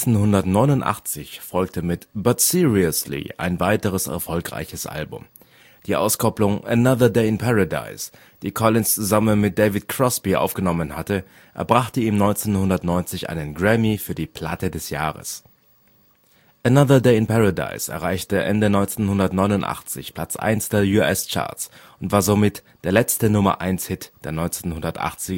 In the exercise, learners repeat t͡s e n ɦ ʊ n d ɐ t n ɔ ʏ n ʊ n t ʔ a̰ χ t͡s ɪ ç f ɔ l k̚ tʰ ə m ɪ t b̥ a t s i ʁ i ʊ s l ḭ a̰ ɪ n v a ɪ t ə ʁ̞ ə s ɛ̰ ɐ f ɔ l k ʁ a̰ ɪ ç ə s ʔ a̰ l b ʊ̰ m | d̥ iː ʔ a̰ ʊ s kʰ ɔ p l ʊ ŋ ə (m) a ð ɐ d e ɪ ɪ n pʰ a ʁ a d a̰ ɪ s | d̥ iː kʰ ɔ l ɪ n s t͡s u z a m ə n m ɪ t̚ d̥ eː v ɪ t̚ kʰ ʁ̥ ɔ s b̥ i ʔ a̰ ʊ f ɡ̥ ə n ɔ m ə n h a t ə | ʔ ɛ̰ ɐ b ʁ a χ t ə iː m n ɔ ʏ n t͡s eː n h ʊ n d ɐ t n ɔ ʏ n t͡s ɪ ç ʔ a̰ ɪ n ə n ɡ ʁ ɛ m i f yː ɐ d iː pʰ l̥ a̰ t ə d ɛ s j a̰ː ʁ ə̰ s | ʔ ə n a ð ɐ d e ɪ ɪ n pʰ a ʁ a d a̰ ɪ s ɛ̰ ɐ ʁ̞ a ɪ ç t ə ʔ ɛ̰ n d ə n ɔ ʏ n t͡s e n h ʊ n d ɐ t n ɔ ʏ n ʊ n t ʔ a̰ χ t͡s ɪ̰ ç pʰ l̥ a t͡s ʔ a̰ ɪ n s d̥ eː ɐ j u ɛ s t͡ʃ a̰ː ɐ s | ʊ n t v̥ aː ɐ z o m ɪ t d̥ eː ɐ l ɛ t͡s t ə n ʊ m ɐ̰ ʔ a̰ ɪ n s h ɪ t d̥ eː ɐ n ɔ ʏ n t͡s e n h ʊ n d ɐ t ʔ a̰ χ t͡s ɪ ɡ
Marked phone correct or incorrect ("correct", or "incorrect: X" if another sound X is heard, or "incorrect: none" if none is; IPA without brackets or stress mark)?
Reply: incorrect: n